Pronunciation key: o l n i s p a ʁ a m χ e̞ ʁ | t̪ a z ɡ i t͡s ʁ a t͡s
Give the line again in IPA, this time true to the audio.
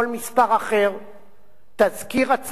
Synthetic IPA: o l m i s p a ʁ a χ e̞ ʁ | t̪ a z k i ʁ a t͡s